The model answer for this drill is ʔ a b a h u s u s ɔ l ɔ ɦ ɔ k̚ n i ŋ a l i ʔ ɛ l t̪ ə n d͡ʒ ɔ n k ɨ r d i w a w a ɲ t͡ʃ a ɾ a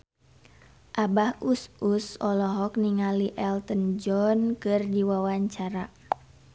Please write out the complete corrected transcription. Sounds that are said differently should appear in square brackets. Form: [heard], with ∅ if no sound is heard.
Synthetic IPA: ʔ a b a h u s u s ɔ l ɔ ɦ ɔ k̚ n i ŋ a l i ʔ ɛ l t̪ ə n d͡ʒ ɔ n k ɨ r d i w a w a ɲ t͡ʃ a ɾ a